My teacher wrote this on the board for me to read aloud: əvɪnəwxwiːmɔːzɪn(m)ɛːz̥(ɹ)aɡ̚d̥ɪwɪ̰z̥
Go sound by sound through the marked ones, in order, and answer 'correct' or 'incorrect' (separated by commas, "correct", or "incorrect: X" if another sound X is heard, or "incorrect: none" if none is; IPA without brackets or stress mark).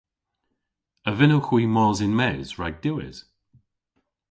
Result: correct, correct